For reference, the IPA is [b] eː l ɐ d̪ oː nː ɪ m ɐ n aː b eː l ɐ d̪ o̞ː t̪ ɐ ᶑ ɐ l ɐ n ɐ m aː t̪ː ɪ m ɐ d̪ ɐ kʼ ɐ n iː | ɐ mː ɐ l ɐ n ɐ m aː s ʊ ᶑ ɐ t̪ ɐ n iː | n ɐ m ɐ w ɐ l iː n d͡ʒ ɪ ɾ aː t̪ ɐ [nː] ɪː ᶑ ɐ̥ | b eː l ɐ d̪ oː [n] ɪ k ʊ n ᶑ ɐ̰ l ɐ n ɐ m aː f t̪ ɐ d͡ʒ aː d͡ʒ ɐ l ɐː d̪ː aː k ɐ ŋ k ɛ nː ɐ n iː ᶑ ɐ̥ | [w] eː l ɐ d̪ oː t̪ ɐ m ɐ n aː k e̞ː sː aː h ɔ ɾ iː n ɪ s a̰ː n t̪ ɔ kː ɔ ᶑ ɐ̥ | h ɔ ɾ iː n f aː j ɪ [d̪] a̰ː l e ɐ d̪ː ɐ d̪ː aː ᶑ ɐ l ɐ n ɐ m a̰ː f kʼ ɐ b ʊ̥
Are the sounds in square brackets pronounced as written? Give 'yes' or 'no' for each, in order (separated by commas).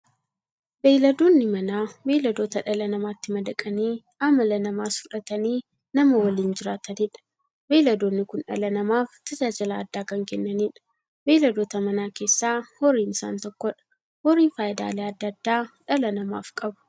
yes, no, no, no, yes